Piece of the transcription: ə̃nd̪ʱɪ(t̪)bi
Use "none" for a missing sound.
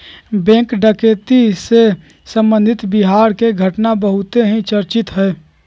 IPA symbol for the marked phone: t̪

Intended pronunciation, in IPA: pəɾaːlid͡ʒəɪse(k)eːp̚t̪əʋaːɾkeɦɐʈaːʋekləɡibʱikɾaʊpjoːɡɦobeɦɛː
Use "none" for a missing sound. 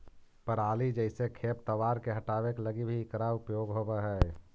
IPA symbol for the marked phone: kʰ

